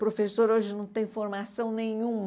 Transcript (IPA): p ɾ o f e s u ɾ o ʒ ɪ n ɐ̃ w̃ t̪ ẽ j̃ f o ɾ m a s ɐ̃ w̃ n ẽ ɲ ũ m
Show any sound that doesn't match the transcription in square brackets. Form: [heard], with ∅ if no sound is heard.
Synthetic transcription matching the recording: p ɾ o f e s [o] ɾ o ʒ ɪ n ɐ̃ w̃ t̪ ẽ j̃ f o ɾ m a s ɐ̃ w̃ n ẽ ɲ ũ m